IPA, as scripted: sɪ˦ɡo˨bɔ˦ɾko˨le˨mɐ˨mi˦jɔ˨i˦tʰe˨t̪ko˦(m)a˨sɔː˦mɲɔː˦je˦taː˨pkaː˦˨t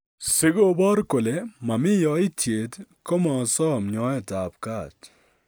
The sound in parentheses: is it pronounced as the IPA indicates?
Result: yes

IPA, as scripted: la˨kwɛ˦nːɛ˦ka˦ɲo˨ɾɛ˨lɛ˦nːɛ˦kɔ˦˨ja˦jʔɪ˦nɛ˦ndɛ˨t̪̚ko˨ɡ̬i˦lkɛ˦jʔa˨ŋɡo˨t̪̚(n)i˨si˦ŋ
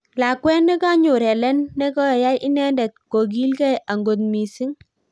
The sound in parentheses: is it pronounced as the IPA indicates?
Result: no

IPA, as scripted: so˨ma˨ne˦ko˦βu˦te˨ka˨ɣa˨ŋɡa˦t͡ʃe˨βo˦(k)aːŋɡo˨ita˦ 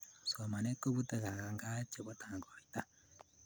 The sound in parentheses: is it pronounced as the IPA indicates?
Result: no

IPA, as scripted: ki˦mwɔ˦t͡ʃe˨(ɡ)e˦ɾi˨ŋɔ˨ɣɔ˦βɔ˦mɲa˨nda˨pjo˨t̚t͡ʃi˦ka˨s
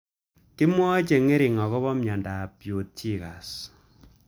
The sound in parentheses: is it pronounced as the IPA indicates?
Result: no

